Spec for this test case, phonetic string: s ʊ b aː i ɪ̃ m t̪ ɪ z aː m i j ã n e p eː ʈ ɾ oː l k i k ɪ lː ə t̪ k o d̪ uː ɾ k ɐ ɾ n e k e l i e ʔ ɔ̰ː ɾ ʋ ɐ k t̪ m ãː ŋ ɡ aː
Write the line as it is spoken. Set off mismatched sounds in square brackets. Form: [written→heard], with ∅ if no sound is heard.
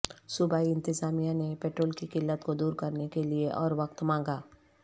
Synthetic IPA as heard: s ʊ b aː i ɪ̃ [m→n] t̪ ɪ z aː m i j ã n e p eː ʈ ɾ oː l k i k ɪ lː ə t̪ k o d̪ uː ɾ k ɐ ɾ n e k e l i e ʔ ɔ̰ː ɾ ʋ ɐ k t̪ m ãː ŋ ɡ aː

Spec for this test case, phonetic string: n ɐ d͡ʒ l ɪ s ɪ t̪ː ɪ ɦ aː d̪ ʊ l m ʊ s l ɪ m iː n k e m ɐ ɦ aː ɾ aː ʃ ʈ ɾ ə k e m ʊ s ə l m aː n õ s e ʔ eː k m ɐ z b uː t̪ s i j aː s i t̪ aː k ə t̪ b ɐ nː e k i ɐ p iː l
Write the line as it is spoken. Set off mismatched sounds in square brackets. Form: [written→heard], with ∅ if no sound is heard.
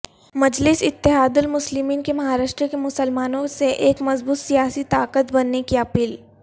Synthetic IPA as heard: [n→m] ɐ d͡ʒ l ɪ s ɪ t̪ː ɪ ɦ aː d̪ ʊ l m ʊ s l ɪ m iː n k e m ɐ ɦ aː ɾ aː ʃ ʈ ɾ ə k e m ʊ s ə l m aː n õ s e ʔ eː k m ɐ z b uː t̪ s i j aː s i t̪ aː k ə t̪ b ɐ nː e k i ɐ p iː l

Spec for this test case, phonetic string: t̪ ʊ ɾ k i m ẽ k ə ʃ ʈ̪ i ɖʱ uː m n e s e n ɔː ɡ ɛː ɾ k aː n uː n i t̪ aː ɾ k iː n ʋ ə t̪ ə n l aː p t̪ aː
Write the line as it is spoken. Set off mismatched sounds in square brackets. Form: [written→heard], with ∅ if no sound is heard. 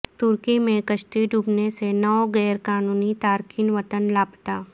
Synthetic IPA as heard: t̪ ʊ ɾ k i m ẽ k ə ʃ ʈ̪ i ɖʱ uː [m→b] n e s e n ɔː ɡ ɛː ɾ k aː n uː n i t̪ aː ɾ k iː n ʋ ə t̪ ə n l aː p t̪ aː

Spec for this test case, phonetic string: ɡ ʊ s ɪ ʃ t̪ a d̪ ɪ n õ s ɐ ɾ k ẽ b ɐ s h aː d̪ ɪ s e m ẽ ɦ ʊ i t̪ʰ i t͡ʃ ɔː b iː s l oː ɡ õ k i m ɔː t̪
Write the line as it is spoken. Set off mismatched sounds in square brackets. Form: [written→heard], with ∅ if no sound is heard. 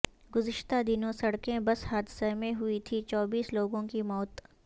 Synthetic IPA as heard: ɡ ʊ [s→z] ɪ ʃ t̪ a d̪ ɪ n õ s ɐ [ɾ→ɽ] k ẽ b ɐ s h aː d̪ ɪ s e m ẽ ɦ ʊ i t̪ʰ i t͡ʃ ɔː b iː s l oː ɡ õ k i m ɔː t̪

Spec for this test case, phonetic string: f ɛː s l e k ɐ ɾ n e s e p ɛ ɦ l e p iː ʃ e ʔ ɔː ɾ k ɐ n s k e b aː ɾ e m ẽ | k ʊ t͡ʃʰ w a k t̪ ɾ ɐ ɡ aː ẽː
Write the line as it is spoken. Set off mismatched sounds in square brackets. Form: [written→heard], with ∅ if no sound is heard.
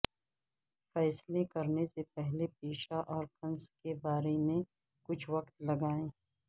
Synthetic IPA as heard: f ɛː s l e k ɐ ɾ n e s e p ɛ ɦ l e p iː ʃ [e→a] ʔ ɔː ɾ k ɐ n s k e b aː ɾ e m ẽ | k ʊ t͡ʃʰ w [a→ɐ] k t̪ [ɾ→l] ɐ ɡ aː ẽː

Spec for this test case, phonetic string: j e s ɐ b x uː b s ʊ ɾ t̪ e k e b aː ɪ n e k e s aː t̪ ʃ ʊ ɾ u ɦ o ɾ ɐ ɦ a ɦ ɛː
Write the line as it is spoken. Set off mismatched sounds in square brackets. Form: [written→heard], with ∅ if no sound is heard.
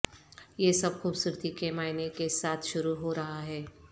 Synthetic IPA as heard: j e s ɐ b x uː b s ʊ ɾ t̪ [e→i] k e [b→m] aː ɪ n e k e s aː [t̪→t̪ʰ] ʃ ʊ ɾ u ɦ o ɾ ɐ ɦ a ɦ ɛː

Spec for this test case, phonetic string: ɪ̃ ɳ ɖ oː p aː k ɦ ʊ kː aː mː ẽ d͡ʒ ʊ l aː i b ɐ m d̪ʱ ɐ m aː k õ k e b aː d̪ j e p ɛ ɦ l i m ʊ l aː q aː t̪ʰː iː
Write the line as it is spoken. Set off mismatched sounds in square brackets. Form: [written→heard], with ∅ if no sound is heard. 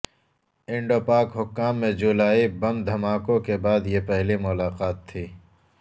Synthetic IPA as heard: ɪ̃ ɳ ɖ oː p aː k ɦ ʊ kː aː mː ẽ d͡ʒ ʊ l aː i b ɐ m d̪ʱ ɐ m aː k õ k e b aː d̪ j e p ɛ ɦ l i m ʊ l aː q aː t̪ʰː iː

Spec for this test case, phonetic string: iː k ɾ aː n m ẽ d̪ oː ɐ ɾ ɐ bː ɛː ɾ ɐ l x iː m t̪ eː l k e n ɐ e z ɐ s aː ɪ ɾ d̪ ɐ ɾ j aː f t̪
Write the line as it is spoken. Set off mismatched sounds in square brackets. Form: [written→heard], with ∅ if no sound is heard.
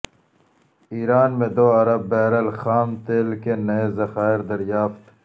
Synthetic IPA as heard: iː [k→∅] ɾ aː n m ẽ d̪ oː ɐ ɾ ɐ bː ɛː ɾ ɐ l x [iː→aː] m t̪ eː l k e n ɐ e z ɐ [s→x] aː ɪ ɾ d̪ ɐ ɾ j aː f t̪

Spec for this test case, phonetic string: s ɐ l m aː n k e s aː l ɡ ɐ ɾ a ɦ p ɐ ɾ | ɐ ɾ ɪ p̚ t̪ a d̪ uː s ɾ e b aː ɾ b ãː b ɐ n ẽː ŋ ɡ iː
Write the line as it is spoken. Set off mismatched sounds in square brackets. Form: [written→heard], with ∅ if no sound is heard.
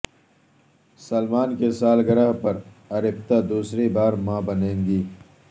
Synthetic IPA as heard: s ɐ l m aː n k e s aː l ɡ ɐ ɾ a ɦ p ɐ ɾ | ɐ ɾ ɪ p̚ t̪ a d̪ uː s ɾ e b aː ɾ [b→m] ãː b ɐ n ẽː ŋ ɡ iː

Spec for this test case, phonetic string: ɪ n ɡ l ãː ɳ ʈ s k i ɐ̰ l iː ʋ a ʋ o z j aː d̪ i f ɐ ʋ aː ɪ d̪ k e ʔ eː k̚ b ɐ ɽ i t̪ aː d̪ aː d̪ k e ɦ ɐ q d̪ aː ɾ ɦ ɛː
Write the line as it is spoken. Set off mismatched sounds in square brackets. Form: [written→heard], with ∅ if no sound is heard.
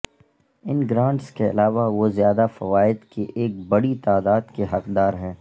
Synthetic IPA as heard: ɪ n ɡ [l→ɾ] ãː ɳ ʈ s k [i→e] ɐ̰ l [iː→aː] ʋ a ʋ o z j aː d̪ [i→a] f ɐ ʋ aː ɪ d̪ k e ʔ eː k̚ b ɐ ɽ i t̪ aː d̪ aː d̪ k e ɦ ɐ q d̪ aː ɾ ɦ ɛː

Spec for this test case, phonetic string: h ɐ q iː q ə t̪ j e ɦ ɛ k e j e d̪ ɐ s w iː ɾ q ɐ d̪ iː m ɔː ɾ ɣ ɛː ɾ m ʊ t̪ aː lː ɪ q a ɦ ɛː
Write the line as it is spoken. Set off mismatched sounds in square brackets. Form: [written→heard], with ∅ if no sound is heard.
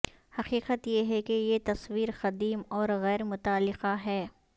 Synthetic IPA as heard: h ɐ q iː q ə t̪ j e ɦ ɛ k e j e [d̪→t̪] ɐ s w iː ɾ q ɐ d̪ iː m ɔː ɾ ɣ ɛː ɾ m ʊ t̪ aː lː ɪ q a ɦ ɛː

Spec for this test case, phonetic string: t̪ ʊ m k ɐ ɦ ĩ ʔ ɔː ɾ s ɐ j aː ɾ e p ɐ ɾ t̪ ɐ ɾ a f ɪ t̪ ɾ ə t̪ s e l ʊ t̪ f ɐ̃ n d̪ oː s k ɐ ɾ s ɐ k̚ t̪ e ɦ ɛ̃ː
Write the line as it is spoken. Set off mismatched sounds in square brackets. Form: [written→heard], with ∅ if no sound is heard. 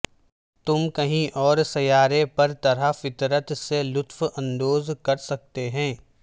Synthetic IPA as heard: t̪ ʊ m k ɐ ɦ ĩ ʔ ɔː ɾ s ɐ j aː ɾ e p ɐ ɾ t̪ ɐ ɾ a f ɪ t̪ ɾ ə t̪ s e l ʊ t̪ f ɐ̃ n d̪ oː [s→z] k ɐ ɾ s ɐ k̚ t̪ e ɦ ɛ̃ː

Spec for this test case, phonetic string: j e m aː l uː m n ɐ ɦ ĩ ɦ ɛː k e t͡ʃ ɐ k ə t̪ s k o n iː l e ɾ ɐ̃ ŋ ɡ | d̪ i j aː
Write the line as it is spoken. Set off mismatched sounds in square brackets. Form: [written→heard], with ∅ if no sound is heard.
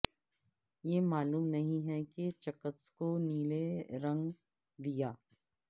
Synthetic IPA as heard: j e m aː l uː m n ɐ ɦ ĩ ɦ [ɛː→ɛ] k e t͡ʃ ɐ k ə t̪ s k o n iː l e ɾ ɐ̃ ŋ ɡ | d̪ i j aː

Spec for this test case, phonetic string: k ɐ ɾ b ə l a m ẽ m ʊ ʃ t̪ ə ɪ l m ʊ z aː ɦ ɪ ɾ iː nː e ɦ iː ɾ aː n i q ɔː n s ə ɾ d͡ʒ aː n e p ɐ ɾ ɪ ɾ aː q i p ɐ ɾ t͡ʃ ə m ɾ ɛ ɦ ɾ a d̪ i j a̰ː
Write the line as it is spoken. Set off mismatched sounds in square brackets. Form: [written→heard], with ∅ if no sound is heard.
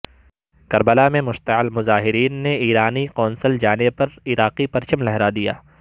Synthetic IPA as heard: k ɐ ɾ b ə l a m ẽ m ʊ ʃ t̪ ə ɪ l m ʊ z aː ɦ ɪ ɾ iː nː e [ɦ→∅] iː ɾ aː n i q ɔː n s ə [ɾ→l] d͡ʒ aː n e p ɐ ɾ ɪ ɾ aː q i p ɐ ɾ t͡ʃ ə m [ɾ→l] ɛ ɦ ɾ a d̪ i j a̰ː

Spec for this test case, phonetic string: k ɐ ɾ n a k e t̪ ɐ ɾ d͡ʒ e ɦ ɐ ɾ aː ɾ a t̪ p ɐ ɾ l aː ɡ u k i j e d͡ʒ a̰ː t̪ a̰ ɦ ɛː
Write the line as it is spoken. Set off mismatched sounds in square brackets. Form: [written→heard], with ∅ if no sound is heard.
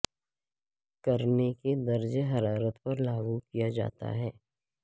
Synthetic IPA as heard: k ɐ ɾ n [a→e] k e [t̪→d̪] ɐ ɾ d͡ʒ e ɦ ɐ ɾ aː ɾ [a→ə] t̪ p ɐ ɾ l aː ɡ u k i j [e→a] d͡ʒ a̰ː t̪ a̰ ɦ ɛː

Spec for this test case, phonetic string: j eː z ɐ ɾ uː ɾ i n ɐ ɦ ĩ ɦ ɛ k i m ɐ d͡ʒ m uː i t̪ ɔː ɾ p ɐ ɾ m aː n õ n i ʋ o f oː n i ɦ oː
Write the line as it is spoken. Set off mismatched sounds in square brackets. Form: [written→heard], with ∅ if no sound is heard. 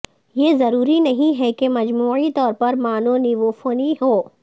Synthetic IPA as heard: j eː z ɐ ɾ uː ɾ i n ɐ ɦ ĩ ɦ ɛ k [i→e] m ɐ d͡ʒ m uː i t̪ ɔː ɾ p ɐ ɾ m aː n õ n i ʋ o f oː n i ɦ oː

